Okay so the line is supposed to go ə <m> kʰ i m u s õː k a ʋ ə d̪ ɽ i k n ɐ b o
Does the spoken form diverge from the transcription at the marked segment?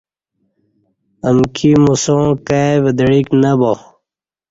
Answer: no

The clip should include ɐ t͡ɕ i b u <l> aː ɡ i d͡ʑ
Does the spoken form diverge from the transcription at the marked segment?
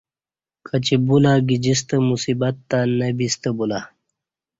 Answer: no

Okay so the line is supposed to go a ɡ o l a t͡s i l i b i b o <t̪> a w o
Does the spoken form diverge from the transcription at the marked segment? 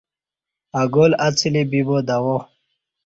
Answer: yes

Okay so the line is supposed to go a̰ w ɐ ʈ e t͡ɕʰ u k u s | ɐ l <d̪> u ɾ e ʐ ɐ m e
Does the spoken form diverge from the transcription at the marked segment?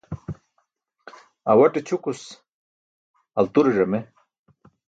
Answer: yes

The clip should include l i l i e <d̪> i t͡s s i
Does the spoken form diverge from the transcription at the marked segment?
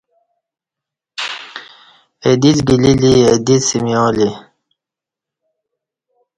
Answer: no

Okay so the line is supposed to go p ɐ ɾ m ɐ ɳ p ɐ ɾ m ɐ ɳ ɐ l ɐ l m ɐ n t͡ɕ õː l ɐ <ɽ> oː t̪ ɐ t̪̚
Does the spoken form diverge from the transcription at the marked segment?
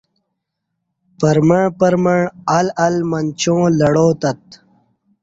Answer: no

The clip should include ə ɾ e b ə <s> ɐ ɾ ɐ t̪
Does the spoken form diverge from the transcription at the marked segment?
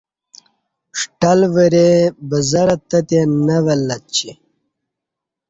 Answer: yes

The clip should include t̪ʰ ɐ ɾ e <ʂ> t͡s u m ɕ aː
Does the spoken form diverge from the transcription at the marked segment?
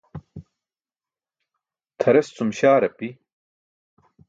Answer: yes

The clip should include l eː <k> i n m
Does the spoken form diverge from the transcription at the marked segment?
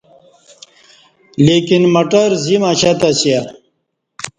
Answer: no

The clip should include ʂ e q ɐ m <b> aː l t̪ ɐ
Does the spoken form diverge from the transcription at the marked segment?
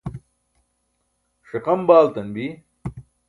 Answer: no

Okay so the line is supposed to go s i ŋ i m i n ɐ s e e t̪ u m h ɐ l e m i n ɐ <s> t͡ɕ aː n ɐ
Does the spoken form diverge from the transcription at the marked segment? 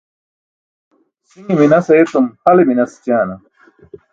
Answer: no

